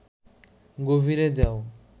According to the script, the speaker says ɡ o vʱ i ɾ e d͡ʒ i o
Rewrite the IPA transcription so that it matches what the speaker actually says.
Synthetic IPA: ɡ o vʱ i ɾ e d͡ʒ a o